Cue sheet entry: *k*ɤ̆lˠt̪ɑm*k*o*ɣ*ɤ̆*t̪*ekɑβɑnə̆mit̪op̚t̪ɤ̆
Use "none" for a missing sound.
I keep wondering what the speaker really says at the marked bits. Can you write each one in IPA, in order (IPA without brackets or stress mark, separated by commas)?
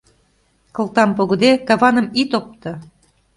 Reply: k, p, ɣ, d̪